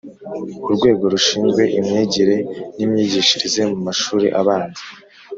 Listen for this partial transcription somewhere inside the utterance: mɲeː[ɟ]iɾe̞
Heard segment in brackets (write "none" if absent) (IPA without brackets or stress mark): ɟ